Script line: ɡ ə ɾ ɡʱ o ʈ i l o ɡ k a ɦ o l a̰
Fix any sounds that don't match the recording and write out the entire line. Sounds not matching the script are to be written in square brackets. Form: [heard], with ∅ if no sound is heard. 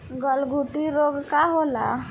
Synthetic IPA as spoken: ɡ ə [l] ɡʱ [u] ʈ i [ɾ] o ɡ k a ɦ o l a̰